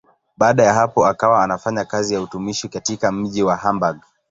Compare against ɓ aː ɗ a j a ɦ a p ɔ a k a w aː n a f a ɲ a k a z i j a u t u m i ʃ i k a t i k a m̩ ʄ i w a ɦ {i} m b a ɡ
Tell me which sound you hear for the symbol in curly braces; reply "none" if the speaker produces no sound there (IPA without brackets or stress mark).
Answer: a